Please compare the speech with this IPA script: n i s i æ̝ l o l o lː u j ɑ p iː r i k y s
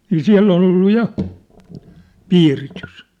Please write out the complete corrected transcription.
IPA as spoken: n iː s i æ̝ lː o l o lː u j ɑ p iː r i t y s